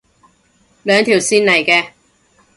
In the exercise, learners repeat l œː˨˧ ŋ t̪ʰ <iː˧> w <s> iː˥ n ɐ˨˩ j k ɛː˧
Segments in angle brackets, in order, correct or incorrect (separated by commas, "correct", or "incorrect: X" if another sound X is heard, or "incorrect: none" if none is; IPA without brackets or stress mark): incorrect: iː˨˩, correct